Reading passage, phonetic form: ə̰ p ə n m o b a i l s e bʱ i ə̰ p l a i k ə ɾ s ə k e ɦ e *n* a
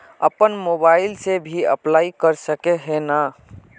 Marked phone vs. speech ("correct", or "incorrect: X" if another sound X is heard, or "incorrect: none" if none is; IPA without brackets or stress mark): correct